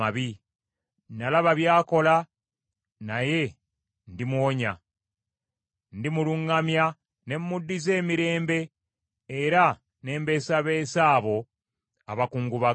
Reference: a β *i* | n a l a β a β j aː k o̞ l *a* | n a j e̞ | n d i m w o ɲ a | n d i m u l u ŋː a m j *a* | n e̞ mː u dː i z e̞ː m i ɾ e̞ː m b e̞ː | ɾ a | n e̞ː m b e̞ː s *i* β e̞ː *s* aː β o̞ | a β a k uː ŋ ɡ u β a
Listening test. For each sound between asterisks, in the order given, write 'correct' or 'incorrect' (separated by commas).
correct, correct, correct, incorrect, correct